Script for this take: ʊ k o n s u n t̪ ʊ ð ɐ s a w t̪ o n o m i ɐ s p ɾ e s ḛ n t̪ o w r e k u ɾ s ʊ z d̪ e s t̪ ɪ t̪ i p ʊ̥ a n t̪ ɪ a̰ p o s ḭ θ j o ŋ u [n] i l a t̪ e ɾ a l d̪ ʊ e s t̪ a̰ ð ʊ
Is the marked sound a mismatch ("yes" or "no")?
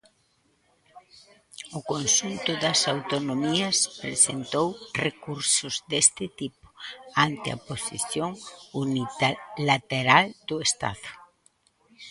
no